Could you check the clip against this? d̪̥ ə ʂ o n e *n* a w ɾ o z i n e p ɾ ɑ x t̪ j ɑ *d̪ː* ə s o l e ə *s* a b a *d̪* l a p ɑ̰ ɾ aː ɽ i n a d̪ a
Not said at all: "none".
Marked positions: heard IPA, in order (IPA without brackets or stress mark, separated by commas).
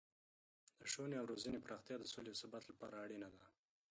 none, d̪, s, t̪